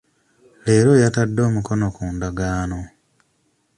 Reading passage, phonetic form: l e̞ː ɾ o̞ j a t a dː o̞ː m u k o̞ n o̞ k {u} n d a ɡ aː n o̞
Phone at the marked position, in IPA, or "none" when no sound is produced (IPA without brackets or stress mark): uː